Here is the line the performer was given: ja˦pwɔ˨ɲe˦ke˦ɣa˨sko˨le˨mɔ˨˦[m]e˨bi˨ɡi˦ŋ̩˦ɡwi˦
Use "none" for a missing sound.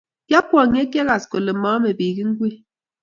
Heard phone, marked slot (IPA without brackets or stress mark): m